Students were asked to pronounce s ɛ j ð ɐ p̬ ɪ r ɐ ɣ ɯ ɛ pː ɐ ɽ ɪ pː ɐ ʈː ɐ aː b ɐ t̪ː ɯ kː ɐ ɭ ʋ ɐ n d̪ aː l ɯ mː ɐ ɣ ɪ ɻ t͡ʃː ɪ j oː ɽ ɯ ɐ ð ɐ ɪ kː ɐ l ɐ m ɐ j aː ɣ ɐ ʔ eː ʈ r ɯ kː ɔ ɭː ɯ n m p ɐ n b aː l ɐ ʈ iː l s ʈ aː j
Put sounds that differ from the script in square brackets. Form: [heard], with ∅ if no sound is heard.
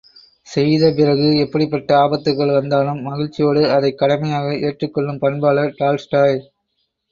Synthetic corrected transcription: s ɛ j ð ɐ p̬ ɪ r ɐ ɣ ɯ ɛ pː ɐ ɽ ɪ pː ɐ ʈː ɐ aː b ɐ t̪ː ɯ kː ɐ ɭ ʋ ɐ n d̪ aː l ɯ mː ɐ ɣ ɪ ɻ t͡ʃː ɪ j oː ɽ ɯ ɐ ð ɐ ɪ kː ɐ [ɽ] ɐ m ɐ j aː ɣ ɐ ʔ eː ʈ r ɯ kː ɔ ɭː ɯ [∅] m p ɐ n b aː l ɐ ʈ [aː] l s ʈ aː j